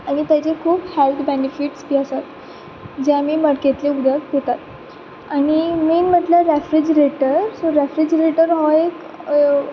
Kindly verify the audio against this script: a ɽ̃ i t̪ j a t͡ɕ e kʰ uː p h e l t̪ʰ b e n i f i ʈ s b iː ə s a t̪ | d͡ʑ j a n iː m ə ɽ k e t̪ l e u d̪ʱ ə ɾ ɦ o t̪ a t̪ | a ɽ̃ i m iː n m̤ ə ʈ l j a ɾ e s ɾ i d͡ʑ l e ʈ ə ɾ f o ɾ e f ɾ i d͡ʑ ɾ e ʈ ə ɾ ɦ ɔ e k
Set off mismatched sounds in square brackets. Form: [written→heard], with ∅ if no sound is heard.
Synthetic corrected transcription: a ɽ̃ i t̪ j a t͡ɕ e kʰ uː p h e l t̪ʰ b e n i f i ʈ s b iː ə s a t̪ | d͡ʑ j a [n→m] iː m ə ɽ k e t̪ l e u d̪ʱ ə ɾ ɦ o t̪ a t̪ | a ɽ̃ i m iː n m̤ ə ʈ l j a ɾ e [s→f] ɾ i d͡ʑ [l→ɾ] e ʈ ə ɾ [f→s] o ɾ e f ɾ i d͡ʑ ɾ e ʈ ə ɾ ɦ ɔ e k